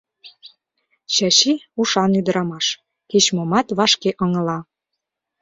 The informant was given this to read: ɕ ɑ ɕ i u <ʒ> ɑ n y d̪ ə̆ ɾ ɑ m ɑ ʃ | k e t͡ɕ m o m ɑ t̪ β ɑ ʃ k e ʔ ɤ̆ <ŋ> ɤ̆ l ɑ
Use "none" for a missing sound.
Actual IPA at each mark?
ʃ, ŋ

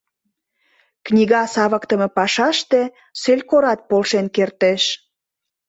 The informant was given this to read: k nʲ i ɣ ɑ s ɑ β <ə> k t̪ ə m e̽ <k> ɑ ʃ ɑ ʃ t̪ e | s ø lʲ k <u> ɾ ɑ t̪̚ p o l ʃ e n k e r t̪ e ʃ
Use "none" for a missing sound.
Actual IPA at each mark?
ə, p, o

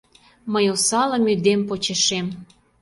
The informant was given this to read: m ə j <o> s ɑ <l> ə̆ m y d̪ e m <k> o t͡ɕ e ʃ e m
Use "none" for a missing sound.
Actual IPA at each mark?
o, l, p

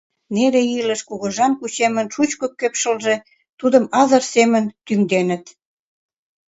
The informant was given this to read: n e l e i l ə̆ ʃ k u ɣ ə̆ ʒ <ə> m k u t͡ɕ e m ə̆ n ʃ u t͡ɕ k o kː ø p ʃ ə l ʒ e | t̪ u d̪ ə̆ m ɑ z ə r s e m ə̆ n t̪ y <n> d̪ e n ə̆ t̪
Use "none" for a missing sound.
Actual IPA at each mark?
ɑ, ŋ

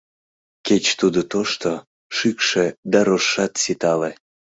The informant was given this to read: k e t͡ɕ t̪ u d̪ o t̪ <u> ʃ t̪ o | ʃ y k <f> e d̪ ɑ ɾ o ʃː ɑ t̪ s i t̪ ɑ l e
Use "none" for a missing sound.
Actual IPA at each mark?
o, ʃ

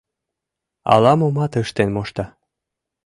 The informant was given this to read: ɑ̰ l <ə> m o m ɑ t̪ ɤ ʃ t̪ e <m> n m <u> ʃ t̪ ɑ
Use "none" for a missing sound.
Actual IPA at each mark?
ɑ, none, o

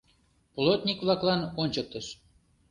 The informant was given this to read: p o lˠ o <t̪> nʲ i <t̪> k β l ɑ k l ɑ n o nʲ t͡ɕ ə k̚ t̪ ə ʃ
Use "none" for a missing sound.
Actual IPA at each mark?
t̪, none

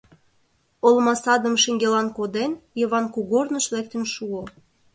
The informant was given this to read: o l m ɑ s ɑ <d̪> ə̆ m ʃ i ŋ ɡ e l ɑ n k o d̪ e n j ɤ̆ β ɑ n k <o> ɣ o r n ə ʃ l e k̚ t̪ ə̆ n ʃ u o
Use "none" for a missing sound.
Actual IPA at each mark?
d̪, u

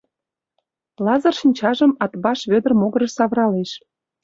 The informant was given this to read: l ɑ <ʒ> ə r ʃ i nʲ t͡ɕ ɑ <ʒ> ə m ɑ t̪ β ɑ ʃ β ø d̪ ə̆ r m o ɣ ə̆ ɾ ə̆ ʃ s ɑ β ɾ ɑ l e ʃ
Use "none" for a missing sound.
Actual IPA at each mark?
z, ʒ

